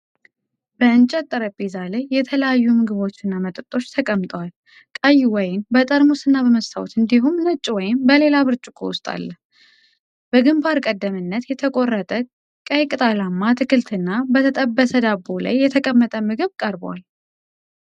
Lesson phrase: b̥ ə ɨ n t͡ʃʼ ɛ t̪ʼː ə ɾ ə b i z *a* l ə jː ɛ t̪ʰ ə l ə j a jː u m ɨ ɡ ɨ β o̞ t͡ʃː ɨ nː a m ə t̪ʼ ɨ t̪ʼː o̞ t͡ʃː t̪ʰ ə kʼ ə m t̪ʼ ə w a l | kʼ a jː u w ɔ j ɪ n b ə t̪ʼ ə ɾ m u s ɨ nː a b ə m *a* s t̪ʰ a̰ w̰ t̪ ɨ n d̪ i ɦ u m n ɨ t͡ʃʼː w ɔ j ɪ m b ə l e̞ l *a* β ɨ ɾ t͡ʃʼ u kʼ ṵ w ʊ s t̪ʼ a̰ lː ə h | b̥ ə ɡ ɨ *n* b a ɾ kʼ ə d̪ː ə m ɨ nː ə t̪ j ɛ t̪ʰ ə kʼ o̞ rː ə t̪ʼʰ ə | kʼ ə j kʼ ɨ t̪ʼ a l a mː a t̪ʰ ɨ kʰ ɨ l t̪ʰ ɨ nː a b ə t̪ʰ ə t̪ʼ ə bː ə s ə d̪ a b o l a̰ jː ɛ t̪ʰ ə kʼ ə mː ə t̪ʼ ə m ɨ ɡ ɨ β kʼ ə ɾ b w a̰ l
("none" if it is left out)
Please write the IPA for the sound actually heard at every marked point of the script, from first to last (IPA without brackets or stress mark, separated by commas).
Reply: a, ə, a, m